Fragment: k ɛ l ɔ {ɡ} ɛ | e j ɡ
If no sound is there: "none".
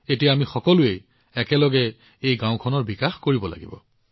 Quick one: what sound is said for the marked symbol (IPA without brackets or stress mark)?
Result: ɡ